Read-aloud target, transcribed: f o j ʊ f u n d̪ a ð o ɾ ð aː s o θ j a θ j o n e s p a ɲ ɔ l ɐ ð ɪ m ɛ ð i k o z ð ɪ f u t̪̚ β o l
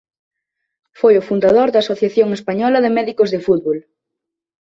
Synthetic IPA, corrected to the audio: f o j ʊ f u n d̪ a ð o ɾ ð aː s o θ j a θ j o ŋ e s p a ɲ ɔ l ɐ ð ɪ m ɛ ð i k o z ð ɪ f u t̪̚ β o l